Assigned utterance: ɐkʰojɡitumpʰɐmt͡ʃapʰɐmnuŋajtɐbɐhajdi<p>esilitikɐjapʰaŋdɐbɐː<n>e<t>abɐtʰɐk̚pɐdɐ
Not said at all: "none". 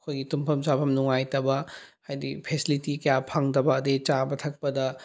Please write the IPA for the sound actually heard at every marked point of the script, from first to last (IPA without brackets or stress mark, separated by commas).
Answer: pʰ, d, t͡ʃ